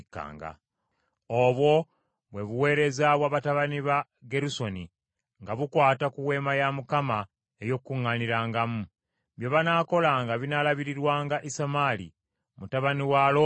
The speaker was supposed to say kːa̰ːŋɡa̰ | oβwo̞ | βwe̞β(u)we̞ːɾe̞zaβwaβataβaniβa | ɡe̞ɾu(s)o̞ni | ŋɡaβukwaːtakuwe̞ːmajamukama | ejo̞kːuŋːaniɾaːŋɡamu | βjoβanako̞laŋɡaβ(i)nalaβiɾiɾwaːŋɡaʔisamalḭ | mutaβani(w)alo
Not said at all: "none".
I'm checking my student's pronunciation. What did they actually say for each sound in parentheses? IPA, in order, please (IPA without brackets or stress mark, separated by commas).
u, s, i, w